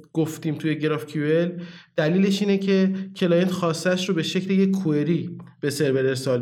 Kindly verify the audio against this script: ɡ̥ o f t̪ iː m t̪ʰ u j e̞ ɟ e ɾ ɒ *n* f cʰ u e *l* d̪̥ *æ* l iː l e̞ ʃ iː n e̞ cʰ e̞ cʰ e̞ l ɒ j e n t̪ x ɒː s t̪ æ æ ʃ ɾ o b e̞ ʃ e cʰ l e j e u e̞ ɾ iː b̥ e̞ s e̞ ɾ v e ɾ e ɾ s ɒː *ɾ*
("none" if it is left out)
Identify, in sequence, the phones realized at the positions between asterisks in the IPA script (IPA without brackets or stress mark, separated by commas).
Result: none, l, æ, l